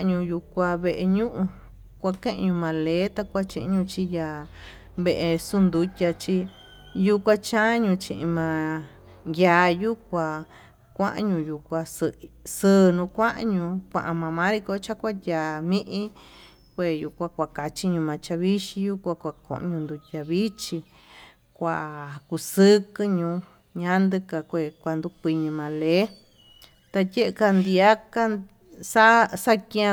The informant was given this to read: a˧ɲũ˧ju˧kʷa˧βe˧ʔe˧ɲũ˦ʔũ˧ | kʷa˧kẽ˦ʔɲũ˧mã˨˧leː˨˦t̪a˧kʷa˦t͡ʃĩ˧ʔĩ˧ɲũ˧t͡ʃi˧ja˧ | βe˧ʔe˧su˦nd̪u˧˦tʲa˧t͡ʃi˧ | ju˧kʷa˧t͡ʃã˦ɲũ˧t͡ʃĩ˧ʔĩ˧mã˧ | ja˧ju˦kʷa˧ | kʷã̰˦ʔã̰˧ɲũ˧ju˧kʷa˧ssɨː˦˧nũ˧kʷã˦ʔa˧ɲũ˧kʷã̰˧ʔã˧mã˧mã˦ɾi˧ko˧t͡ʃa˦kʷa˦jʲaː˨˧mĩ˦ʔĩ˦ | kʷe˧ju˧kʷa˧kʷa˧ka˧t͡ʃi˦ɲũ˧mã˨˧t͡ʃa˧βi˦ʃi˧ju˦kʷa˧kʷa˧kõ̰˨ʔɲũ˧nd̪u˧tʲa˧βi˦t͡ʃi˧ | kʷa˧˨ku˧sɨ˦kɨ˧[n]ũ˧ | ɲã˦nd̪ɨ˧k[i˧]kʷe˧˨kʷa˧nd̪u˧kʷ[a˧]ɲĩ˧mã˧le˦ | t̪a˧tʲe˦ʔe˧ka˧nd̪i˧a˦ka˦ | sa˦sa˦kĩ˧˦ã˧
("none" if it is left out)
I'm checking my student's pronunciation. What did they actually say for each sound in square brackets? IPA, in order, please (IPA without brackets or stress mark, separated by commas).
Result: ɲ, a˧, i˧